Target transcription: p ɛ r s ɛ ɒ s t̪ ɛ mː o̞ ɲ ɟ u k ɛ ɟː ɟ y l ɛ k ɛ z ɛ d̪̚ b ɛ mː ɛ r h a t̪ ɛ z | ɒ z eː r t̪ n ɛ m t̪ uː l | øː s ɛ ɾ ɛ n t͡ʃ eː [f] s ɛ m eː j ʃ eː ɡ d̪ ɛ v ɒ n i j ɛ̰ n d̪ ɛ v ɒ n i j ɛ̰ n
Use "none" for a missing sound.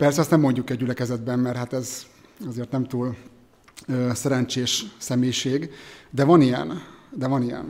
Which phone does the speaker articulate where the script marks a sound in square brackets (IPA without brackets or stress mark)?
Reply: ʃ